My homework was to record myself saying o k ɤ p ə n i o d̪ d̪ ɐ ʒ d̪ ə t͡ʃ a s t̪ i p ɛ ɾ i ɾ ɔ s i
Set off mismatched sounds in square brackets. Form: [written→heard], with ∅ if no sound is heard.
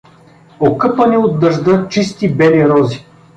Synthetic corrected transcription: o k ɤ p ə n i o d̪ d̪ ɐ ʒ d̪ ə t͡ʃ [a→i] s t̪ i [p→b] ɛ [ɾ→l] i ɾ ɔ [s→z] i